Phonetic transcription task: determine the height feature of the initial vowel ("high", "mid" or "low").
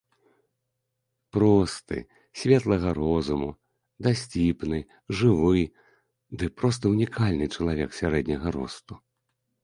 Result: mid